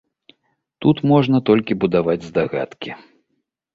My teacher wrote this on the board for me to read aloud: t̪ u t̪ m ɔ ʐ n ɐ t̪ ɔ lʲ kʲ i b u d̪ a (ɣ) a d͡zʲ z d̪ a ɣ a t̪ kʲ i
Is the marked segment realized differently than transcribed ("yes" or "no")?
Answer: yes